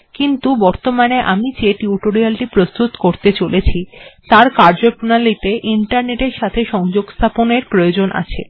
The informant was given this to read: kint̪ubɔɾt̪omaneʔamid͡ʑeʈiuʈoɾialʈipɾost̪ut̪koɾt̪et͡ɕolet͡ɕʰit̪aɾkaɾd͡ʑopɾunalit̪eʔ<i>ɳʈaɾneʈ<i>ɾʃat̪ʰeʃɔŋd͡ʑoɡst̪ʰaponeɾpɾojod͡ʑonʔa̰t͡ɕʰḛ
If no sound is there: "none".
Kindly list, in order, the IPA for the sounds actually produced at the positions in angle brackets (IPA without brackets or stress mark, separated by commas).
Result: i, e